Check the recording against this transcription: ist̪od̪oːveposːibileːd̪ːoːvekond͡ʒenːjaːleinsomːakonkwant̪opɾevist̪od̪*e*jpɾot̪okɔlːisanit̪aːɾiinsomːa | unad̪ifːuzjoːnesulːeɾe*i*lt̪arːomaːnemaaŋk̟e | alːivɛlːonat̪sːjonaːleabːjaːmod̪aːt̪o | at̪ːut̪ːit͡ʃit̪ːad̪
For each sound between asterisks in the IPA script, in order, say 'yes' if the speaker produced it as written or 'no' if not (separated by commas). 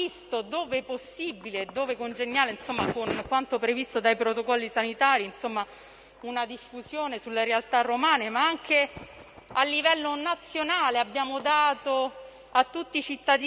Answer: no, no